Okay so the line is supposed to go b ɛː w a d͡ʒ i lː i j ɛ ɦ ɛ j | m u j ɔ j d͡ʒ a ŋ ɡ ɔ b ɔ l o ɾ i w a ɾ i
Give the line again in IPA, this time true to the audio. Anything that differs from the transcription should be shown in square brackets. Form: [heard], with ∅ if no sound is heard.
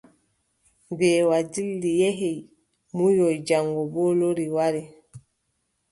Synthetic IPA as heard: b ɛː w a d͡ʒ i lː i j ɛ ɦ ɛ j | m u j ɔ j d͡ʒ a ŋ ɡ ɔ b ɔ l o ɾ i w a ɾ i